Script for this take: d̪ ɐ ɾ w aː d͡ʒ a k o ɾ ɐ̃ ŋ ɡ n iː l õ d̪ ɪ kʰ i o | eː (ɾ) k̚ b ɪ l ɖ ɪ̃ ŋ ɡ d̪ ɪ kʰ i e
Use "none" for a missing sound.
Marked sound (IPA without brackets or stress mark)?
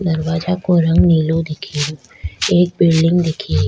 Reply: none